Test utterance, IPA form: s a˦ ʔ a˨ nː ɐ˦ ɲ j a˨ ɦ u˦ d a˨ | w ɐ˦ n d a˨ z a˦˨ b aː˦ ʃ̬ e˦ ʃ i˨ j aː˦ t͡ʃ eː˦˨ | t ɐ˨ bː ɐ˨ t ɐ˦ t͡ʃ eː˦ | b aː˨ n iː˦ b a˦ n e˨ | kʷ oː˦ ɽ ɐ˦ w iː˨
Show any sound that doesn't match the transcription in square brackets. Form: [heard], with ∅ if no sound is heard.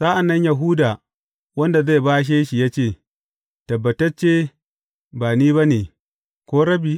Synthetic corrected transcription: s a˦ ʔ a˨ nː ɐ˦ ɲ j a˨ ɦ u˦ d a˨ | w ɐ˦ n d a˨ z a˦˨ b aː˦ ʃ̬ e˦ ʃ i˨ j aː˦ t͡ʃ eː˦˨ | t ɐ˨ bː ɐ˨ t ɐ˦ t͡ʃ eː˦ | b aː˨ n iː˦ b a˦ n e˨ | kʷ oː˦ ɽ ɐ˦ [b] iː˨